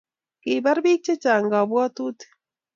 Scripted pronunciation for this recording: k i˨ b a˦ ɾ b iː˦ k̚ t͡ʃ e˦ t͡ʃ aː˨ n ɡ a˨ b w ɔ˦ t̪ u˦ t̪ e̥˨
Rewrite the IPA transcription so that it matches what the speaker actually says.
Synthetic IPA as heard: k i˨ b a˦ ɾ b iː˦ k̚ t͡ʃ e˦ t͡ʃ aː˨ ŋ ɡ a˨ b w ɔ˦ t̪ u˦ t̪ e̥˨